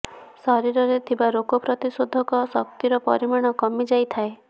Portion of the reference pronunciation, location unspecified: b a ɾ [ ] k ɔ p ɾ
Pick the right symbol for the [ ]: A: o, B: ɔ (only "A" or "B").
A